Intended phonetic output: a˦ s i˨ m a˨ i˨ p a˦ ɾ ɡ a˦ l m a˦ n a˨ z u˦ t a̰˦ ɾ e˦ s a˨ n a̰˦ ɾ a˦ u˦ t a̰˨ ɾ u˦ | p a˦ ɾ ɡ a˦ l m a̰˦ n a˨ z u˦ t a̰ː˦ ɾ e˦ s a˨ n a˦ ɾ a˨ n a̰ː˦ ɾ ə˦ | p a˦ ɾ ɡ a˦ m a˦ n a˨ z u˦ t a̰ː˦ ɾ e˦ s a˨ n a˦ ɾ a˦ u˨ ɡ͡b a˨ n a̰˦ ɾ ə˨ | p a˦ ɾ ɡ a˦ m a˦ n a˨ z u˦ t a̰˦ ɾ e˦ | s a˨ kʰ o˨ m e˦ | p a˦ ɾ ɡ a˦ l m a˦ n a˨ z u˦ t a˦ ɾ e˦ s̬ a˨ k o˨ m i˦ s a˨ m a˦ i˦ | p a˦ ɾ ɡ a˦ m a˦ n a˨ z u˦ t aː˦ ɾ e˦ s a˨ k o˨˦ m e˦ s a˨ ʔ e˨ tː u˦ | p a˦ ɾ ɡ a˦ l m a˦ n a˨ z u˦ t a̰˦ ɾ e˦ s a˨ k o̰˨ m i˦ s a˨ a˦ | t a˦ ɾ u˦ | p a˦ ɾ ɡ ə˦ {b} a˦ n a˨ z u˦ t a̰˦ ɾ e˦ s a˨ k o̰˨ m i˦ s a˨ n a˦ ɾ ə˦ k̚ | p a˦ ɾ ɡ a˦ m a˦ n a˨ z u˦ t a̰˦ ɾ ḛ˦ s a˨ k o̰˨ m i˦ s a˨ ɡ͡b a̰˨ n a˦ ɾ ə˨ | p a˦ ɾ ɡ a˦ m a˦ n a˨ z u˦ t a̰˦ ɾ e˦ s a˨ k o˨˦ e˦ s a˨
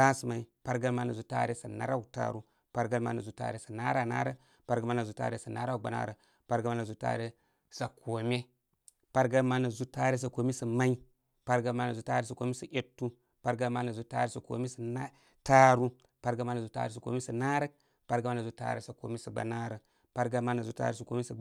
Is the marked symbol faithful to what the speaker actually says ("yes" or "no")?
no